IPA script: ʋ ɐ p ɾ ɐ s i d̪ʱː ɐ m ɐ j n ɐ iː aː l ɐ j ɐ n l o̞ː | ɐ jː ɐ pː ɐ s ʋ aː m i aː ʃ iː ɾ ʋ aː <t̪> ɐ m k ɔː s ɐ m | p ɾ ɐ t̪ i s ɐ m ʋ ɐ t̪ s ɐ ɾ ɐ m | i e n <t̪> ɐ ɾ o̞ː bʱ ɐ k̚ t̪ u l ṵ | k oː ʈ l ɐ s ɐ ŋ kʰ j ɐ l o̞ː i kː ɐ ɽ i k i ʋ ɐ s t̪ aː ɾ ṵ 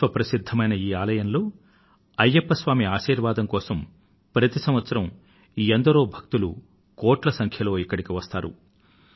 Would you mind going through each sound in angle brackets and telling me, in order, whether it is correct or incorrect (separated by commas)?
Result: incorrect, incorrect